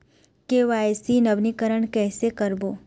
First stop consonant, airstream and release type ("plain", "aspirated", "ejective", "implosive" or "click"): plain